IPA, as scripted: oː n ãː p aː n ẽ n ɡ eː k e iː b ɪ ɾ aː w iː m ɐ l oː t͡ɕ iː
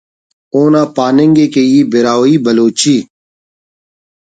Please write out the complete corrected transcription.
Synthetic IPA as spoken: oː n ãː p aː n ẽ ŋ ɡ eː k e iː b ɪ ɾ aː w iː b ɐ l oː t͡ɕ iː